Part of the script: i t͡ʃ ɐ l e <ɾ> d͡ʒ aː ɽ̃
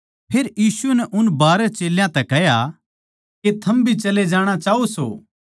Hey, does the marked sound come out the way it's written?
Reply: no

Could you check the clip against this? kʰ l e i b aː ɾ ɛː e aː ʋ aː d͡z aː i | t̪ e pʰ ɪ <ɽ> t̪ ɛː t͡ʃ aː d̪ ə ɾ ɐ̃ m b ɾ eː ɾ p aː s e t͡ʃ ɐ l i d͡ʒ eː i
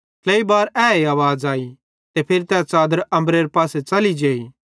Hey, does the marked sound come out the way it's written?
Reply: no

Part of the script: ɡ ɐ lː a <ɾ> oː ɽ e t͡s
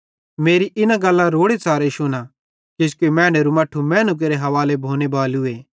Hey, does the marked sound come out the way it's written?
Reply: yes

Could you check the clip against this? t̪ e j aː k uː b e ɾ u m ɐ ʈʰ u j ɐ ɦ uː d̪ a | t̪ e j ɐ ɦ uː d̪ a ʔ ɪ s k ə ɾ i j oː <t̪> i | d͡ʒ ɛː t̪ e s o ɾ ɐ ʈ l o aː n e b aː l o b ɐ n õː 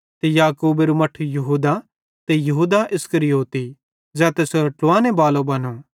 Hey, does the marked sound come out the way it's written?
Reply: yes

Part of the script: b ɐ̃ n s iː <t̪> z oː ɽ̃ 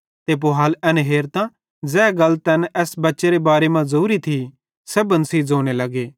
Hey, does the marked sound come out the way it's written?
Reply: no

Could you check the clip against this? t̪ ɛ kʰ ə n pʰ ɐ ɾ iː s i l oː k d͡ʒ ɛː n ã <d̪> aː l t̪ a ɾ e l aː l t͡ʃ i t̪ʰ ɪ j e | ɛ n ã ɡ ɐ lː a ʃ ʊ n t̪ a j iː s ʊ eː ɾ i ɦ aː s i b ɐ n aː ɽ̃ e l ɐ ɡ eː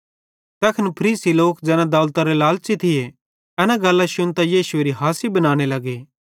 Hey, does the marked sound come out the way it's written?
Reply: yes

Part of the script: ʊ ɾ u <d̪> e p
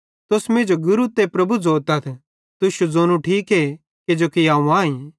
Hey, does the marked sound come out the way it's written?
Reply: no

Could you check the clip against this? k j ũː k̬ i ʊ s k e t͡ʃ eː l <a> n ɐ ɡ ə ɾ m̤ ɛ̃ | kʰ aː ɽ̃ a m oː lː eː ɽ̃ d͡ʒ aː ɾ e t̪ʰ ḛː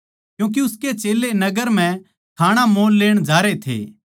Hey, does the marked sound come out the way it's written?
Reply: no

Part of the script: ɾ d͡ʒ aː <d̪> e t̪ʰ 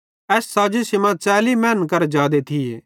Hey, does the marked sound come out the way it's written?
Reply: yes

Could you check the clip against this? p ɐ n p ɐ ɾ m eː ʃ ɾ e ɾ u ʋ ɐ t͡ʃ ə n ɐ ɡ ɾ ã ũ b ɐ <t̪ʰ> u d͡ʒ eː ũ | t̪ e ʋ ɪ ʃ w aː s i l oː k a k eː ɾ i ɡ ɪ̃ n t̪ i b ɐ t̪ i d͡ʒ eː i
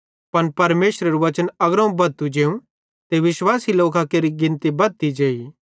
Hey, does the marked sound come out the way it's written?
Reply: no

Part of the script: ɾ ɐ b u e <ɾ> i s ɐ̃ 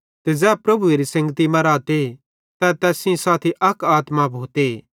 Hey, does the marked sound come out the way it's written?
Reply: yes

